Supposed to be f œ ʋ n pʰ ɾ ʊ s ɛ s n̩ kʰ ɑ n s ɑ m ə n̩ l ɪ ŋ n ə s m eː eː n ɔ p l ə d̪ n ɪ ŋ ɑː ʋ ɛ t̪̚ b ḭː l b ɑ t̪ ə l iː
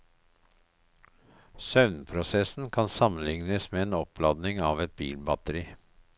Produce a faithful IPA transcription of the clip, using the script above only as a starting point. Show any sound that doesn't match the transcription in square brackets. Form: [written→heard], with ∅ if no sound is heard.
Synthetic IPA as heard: [f→s] œ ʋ n pʰ ɾ ʊ s ɛ s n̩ kʰ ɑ n s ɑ m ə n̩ l ɪ ŋ n ə s m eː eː n ɔ p l [ə→ɑ] d̪ n ɪ ŋ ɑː ʋ ɛ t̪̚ b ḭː l b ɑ t̪ ə [l→ɾ] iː